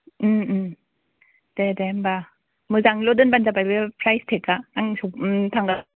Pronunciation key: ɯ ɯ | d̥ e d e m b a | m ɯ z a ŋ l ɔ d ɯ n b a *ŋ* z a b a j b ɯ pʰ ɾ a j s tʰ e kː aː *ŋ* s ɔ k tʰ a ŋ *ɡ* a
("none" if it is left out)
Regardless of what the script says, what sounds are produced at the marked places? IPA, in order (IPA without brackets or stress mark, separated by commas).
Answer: n, ŋ, ɡ